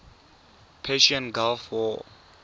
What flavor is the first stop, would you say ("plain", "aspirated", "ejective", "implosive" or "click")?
aspirated